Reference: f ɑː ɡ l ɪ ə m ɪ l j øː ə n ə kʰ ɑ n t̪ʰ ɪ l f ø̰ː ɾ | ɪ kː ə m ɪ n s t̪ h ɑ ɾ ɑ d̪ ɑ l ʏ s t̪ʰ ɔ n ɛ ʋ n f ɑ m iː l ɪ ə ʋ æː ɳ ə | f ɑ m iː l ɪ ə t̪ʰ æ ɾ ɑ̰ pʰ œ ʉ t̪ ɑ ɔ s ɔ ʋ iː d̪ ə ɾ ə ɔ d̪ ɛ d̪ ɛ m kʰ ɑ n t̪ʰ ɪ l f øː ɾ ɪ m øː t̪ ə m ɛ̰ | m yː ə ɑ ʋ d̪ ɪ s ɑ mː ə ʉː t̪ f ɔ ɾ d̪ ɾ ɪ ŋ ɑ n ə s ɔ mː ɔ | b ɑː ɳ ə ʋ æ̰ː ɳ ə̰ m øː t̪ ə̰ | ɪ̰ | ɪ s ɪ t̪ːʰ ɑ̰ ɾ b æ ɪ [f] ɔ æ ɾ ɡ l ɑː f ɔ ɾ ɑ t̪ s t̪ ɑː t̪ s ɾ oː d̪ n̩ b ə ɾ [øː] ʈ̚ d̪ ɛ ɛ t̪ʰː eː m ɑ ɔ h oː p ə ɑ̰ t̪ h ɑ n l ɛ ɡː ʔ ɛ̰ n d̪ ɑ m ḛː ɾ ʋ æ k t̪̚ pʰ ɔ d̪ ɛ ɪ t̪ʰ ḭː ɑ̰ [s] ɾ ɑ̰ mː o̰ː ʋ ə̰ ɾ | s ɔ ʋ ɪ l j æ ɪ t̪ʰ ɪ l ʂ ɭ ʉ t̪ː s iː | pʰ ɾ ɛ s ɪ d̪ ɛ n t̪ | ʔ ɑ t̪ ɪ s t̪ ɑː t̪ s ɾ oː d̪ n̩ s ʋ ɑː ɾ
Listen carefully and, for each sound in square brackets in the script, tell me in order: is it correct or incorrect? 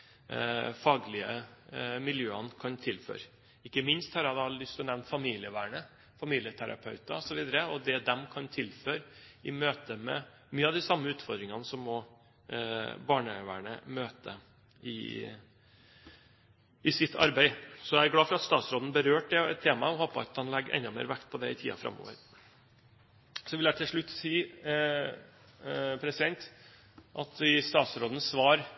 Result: incorrect, correct, incorrect

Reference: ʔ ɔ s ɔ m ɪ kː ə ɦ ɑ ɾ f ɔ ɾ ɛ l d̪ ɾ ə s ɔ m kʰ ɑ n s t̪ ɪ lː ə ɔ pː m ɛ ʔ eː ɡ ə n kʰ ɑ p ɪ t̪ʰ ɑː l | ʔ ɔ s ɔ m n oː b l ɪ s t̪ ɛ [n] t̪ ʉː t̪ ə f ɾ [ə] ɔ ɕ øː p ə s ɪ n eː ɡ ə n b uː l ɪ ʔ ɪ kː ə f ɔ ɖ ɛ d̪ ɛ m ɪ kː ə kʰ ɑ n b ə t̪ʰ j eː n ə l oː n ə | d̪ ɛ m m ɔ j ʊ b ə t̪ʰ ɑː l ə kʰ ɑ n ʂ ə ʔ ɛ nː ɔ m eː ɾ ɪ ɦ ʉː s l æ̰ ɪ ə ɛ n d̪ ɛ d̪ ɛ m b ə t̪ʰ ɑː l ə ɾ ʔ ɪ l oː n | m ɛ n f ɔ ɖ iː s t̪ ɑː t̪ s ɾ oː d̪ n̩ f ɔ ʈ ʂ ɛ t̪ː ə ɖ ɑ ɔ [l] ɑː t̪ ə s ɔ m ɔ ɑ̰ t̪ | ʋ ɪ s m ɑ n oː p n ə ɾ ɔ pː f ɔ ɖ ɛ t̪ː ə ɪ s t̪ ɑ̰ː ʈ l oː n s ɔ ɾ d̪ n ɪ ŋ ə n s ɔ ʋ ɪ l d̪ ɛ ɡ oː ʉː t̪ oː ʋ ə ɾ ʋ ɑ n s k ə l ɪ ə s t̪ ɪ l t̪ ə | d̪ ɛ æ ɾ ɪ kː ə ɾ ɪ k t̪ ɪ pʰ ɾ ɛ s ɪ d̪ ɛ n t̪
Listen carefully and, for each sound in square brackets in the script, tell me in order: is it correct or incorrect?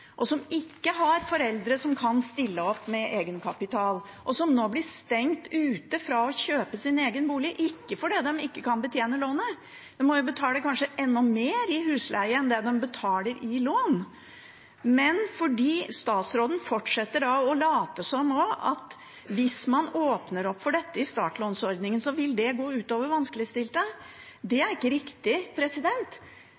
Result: incorrect, incorrect, correct

